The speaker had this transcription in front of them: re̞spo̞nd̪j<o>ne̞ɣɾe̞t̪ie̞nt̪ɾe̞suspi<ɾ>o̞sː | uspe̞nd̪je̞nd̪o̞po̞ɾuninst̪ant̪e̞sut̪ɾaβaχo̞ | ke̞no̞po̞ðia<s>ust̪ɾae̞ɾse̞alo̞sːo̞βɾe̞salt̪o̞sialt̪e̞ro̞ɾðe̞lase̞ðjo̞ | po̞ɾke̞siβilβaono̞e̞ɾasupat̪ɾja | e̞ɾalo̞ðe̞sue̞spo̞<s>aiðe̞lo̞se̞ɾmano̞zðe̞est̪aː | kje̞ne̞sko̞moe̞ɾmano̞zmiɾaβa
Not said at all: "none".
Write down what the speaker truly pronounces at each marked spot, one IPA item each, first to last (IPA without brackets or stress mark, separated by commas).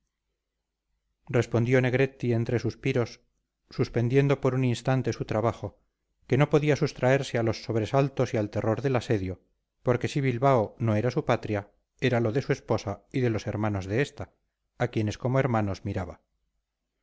o, ɾ, s, s